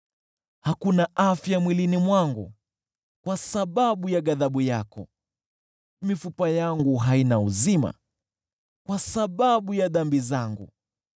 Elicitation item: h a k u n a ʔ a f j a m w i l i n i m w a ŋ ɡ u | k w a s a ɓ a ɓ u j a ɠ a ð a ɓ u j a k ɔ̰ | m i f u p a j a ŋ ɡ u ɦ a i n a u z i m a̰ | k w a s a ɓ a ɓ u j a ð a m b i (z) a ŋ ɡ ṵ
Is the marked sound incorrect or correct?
correct